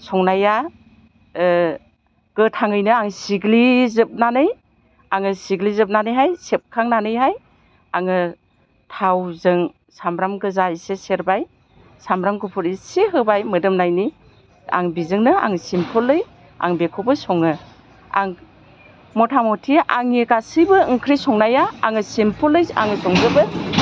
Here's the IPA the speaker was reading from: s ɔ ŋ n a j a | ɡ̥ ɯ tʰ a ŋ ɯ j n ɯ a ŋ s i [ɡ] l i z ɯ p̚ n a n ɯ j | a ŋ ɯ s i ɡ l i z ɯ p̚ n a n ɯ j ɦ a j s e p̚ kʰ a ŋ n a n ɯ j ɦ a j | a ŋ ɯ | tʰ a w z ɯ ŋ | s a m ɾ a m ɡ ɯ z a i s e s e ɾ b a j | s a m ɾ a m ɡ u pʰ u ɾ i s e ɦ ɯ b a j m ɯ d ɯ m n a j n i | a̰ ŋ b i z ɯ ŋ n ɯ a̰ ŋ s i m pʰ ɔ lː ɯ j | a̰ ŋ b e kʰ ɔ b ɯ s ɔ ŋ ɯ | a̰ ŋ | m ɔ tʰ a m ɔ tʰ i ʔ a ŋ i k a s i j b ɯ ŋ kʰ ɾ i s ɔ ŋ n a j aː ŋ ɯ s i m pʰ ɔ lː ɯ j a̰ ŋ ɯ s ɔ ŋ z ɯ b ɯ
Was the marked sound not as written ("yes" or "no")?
no